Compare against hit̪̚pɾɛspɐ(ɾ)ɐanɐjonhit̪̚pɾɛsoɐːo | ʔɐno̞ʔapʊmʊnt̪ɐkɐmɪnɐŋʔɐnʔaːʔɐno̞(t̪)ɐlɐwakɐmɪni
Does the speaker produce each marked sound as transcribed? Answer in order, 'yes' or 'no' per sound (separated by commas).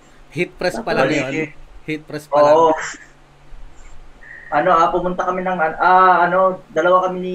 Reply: no, no